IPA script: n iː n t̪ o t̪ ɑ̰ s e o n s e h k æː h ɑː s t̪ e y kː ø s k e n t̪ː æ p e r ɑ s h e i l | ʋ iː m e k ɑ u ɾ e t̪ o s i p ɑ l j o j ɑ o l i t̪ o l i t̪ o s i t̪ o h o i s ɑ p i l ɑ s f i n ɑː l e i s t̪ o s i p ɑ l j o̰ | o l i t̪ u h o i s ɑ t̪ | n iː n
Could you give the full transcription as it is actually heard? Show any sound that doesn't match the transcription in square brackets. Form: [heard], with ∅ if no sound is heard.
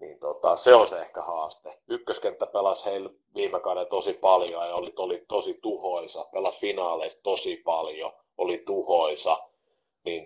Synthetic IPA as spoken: n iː n t̪ o t̪ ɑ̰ s e o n s e h k [æ] h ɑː s t̪ e y kː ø s k e n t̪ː æ p e [l] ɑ s h e i l | ʋ iː m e k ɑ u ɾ e t̪ o s i p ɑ l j o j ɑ o l i t̪ o l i t̪ o s i t̪ [u] h o i s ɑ p [e] l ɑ s f i n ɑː l e i s t̪ o s i p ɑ l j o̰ | o l i t̪ u h o i s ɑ [∅] | n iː n